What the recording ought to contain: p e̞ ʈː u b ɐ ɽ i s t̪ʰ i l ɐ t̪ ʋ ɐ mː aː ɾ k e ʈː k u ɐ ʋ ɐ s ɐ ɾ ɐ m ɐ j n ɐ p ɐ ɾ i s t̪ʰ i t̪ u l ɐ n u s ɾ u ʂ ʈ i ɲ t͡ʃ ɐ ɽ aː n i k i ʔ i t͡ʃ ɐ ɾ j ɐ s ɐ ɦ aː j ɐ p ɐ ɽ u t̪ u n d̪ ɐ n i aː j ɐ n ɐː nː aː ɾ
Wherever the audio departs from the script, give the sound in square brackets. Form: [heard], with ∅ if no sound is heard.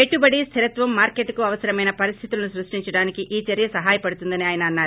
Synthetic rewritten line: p e̞ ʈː u b ɐ ɽ i s t̪ʰ i [ɾ] ɐ t̪ ʋ ɐ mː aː ɾ k e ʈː k u ɐ ʋ ɐ s ɐ ɾ ɐ m ɐ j n ɐ p ɐ ɾ i s t̪ʰ i t̪ u l ɐ n u s ɾ u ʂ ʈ i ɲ t͡ʃ ɐ ɽ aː n i k i ʔ [iː] t͡ʃ ɐ ɾ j ɐ s ɐ ɦ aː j ɐ p ɐ ɽ u t̪ u n d̪ ɐ n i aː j ɐ n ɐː nː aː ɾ

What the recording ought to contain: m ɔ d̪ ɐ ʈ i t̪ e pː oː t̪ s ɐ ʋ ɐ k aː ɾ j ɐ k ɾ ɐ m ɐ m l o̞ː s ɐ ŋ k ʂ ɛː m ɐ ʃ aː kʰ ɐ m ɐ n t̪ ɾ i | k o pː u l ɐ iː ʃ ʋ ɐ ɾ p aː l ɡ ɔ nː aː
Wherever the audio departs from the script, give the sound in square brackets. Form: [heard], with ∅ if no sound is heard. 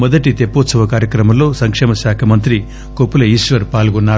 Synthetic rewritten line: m ɔ d̪ ɐ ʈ i t̪ e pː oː t̪ s ɐ ʋ ɐ k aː ɾ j ɐ k ɾ ɐ m ɐ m l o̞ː s ɐ ŋ k ʂ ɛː m ɐ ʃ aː kʰ ɐ m ɐ n t̪ ɾ i | k o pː u l ɐ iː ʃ ʋ ɐ ɾ p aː l ɡ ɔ nː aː

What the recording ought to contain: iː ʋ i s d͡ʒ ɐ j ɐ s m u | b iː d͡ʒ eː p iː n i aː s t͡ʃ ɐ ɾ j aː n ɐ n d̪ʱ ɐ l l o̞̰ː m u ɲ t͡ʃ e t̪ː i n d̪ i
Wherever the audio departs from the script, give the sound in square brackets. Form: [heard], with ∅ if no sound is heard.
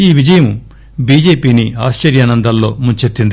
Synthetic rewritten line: iː ʋ i [∅] d͡ʒ ɐ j ɐ [∅] m u | b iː d͡ʒ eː p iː n i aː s t͡ʃ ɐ ɾ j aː n ɐ n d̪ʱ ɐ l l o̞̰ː m u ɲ t͡ʃ e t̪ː i n d̪ i

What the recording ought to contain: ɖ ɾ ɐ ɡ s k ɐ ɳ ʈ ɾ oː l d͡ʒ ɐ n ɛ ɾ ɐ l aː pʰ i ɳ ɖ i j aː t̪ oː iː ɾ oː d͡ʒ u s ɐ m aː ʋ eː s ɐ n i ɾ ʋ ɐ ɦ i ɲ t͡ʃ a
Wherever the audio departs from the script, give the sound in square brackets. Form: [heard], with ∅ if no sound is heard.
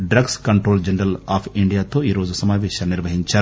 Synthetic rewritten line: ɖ ɾ ɐ ɡ s k ɐ ɳ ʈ ɾ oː l d͡ʒ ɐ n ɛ ɾ ɐ l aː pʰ i ɳ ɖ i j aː t̪ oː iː ɾ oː d͡ʒ u s ɐ m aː ʋ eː [ʃ] ɐ n i ɾ ʋ ɐ ɦ i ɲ t͡ʃ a

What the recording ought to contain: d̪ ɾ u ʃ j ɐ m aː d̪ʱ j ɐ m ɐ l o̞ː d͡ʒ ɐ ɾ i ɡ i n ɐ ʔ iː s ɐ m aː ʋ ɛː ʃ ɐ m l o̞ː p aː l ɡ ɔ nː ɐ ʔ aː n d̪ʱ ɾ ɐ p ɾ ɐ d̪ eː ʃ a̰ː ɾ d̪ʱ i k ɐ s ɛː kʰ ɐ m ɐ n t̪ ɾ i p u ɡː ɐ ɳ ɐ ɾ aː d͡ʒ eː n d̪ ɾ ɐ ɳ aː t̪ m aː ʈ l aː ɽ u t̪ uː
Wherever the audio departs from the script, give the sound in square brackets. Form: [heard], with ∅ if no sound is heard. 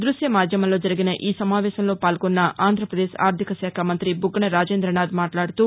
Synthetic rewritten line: d̪ ɾ u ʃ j ɐ m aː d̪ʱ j ɐ m ɐ l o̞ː d͡ʒ ɐ ɾ i ɡ i n ɐ ʔ iː s ɐ m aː ʋ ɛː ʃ ɐ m l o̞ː p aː l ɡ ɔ nː ɐ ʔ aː n d̪ʱ ɾ ɐ p ɾ ɐ d̪ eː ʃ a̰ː ɾ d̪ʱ i k ɐ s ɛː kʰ ɐ m ɐ n t̪ ɾ i [b] u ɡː ɐ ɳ ɐ ɾ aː d͡ʒ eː n d̪ ɾ ɐ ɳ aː [d̪] m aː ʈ l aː ɽ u t̪ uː

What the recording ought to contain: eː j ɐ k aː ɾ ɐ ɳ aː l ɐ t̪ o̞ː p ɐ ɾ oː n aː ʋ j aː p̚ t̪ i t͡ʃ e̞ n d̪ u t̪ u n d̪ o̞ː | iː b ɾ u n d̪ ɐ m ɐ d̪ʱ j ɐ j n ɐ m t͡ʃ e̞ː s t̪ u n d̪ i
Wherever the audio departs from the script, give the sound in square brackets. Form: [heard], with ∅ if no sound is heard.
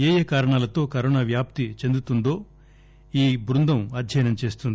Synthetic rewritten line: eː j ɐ k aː ɾ ɐ ɳ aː l ɐ t̪ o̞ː [k] ɐ ɾ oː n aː ʋ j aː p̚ t̪ i t͡ʃ e̞ n d̪ u t̪ u n d̪ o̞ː | iː b ɾ u n d̪ ɐ m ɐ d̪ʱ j ɐ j n ɐ m t͡ʃ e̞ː s t̪ u n d̪ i

